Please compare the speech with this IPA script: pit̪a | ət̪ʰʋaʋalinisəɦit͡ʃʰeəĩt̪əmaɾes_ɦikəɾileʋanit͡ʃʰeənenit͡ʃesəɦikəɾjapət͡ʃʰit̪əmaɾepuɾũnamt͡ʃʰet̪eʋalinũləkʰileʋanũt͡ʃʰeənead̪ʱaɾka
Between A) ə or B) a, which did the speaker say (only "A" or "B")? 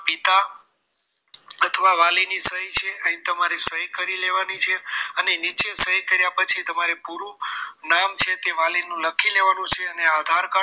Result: A